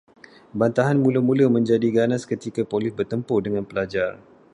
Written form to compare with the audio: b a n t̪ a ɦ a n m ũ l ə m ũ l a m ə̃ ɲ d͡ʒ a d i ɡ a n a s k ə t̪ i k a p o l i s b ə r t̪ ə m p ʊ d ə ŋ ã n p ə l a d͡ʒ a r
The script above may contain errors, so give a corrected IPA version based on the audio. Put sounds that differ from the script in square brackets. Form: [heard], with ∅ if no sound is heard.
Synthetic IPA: b a n t̪ a ɦ a n m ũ l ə m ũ l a m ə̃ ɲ d͡ʒ a d i ɡ a n a s k ə t̪ i k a p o l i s b ə r t̪ ə m p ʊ d ə ŋ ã n p ə l a d͡ʒ a r